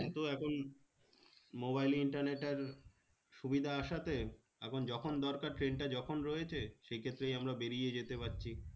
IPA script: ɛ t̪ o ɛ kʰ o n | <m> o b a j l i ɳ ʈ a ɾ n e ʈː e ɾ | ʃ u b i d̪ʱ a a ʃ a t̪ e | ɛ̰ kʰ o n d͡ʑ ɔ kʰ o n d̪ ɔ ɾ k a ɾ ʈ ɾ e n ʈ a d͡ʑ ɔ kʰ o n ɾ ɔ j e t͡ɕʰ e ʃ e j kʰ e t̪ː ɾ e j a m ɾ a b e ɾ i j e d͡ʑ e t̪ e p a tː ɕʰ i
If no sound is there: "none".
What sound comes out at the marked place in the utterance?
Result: m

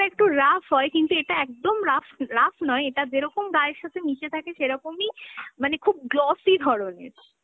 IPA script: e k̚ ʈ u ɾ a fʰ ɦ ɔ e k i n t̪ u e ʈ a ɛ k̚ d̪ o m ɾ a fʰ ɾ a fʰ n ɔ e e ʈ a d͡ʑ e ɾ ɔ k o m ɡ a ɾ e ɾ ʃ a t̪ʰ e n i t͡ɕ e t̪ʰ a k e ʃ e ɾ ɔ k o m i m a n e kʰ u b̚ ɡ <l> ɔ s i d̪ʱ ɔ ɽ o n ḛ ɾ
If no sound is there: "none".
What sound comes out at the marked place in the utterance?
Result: l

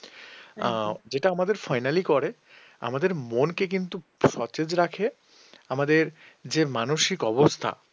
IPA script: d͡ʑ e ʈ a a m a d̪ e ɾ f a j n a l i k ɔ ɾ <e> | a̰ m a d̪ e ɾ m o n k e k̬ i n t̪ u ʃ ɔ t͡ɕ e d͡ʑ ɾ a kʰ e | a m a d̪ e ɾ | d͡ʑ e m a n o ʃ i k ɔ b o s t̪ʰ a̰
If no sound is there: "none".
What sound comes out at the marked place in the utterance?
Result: e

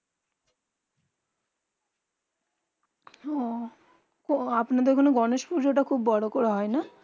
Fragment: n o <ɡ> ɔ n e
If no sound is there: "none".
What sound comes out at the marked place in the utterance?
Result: ɡ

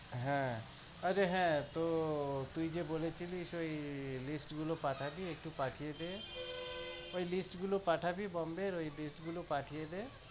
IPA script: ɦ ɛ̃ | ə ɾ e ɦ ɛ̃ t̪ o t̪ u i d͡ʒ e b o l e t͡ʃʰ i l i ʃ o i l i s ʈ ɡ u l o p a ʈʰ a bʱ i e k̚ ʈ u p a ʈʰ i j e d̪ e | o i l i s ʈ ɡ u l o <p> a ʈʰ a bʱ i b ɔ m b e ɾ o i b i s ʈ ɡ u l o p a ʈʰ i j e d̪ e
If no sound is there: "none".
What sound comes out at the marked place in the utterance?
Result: p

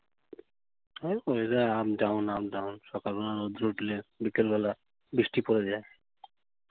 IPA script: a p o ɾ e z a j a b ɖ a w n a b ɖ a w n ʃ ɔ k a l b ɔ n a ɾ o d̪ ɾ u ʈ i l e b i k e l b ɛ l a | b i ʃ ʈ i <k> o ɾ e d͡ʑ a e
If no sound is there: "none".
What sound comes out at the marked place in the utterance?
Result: p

